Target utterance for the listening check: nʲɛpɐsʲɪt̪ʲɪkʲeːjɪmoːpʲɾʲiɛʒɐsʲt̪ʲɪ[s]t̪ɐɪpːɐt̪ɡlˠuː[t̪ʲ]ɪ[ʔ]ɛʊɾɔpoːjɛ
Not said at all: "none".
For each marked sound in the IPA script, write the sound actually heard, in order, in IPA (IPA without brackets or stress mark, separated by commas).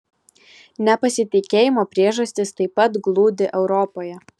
s, d̪ʲ, ʔ